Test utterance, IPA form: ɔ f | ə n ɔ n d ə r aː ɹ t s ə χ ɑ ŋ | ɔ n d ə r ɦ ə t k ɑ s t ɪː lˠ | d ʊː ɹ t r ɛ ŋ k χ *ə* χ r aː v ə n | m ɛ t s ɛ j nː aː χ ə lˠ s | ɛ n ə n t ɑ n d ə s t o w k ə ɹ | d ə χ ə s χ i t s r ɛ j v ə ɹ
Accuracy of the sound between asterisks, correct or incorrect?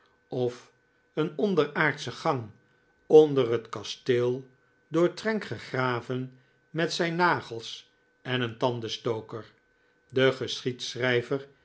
correct